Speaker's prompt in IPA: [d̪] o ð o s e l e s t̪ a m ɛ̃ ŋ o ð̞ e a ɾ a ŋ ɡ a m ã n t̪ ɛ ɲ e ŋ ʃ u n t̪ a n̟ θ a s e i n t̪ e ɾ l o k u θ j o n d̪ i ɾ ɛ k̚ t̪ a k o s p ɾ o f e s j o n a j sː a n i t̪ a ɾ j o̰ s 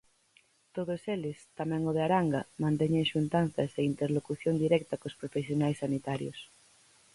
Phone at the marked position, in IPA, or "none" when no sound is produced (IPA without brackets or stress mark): t̪